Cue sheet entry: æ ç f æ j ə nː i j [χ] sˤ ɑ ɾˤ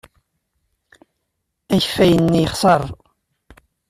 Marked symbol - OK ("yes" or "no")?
yes